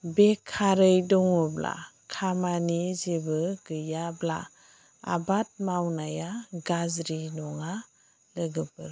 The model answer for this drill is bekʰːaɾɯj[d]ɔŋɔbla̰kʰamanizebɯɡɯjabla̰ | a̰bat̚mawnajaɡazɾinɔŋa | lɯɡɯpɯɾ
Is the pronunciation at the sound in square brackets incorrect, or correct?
correct